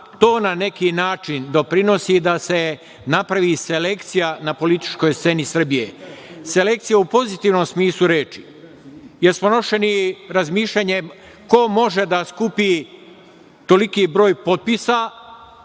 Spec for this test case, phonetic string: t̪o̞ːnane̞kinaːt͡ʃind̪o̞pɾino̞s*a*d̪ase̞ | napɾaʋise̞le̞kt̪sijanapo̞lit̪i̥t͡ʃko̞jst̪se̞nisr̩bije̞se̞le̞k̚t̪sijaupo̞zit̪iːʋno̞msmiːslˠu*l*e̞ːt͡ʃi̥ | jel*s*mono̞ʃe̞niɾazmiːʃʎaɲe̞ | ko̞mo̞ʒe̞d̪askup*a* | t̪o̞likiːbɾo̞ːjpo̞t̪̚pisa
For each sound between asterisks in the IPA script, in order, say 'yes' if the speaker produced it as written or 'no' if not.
no, no, yes, no

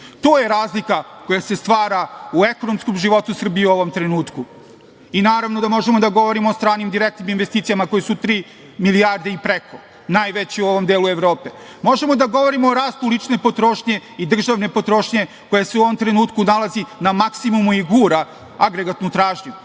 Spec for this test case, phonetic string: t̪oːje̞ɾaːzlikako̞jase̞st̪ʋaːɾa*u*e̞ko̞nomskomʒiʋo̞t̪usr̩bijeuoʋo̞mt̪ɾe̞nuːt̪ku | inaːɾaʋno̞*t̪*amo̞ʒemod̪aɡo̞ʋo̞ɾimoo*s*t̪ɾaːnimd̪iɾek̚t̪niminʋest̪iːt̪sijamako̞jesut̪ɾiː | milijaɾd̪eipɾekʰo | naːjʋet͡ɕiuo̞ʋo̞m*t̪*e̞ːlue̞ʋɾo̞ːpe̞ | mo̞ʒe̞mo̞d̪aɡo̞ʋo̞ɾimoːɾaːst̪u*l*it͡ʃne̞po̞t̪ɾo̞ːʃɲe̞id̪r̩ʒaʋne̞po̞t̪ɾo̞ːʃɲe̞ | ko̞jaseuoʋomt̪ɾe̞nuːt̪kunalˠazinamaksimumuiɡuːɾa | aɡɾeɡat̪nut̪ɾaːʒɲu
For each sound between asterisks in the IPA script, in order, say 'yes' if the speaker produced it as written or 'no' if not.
yes, no, yes, no, yes

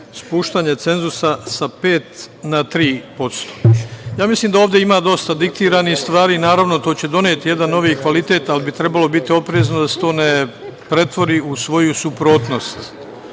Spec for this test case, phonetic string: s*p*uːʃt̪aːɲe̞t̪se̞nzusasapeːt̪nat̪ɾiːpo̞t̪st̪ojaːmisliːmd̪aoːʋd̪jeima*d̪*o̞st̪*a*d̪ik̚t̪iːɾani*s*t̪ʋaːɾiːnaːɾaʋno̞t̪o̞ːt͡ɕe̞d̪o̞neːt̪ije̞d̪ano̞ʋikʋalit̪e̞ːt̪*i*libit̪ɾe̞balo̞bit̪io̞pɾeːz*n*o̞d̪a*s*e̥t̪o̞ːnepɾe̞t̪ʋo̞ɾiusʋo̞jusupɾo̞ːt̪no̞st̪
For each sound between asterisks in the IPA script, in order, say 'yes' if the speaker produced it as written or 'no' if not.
yes, yes, yes, yes, no, yes, yes

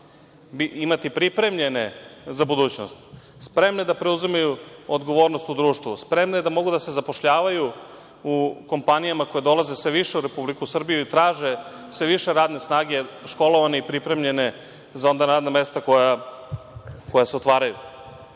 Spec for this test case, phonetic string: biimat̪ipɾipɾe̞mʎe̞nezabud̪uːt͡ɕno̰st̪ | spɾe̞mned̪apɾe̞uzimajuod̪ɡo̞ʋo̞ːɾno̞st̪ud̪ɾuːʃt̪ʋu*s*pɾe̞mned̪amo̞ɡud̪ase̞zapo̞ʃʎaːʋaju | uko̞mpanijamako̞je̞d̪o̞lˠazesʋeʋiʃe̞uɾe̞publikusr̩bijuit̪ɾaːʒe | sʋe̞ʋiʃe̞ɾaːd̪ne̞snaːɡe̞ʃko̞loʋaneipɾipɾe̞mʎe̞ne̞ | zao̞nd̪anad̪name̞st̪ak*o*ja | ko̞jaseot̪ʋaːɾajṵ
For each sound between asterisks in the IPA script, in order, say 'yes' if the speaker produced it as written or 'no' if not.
yes, yes

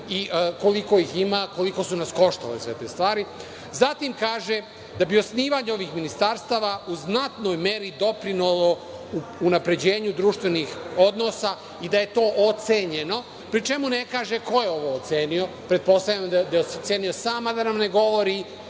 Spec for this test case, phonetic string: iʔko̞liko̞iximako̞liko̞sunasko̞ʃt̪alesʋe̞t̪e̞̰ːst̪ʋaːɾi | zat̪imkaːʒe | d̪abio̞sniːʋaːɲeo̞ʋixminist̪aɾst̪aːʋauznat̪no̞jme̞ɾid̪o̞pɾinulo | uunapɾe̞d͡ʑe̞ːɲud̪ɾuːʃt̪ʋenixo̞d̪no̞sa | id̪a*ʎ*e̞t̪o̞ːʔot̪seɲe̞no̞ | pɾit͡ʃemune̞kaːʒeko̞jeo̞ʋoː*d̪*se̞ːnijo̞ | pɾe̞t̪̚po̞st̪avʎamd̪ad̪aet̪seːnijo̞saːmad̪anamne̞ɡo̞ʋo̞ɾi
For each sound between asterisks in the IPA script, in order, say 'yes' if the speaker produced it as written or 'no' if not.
no, no

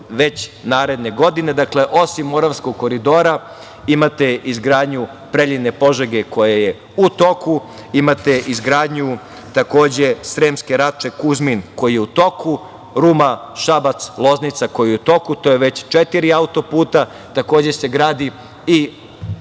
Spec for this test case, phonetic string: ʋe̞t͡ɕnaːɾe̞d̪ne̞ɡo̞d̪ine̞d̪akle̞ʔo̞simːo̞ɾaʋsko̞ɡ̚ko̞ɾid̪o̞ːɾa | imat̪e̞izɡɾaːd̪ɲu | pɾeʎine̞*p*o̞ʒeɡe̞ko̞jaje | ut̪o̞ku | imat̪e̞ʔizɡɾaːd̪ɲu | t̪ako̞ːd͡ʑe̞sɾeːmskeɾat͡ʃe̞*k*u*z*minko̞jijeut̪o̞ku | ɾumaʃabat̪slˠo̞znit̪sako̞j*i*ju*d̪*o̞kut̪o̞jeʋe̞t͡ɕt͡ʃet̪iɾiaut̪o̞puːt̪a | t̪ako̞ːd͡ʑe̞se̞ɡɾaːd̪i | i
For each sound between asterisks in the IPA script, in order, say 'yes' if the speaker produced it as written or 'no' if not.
yes, yes, yes, yes, no

